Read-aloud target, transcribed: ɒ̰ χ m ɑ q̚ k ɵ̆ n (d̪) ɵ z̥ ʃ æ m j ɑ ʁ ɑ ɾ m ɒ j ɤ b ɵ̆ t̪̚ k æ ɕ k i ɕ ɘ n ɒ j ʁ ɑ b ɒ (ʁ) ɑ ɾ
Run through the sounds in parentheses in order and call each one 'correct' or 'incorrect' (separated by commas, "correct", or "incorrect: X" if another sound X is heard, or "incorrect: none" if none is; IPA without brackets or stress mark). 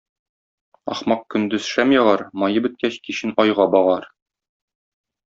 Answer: correct, correct